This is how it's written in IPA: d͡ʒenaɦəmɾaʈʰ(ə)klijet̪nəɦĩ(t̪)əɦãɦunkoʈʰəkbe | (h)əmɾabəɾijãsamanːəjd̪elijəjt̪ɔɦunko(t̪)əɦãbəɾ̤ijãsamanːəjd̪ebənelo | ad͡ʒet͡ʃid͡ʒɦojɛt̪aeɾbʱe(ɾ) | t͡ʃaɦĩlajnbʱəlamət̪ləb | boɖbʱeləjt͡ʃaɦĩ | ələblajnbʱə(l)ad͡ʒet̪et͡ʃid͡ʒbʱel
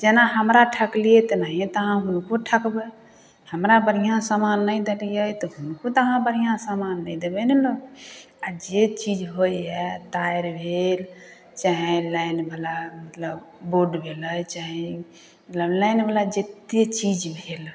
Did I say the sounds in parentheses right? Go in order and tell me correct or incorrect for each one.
correct, correct, correct, correct, incorrect: l, correct

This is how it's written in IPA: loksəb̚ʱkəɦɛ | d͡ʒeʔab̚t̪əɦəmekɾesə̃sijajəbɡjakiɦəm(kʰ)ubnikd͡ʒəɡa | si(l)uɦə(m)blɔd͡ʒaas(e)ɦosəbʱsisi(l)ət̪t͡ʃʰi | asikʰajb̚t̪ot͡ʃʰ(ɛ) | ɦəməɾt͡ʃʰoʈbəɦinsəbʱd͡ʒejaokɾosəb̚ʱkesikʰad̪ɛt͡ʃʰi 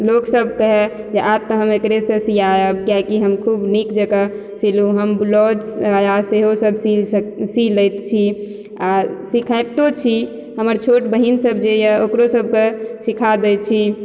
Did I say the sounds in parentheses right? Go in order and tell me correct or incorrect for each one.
correct, correct, correct, correct, correct, incorrect: i

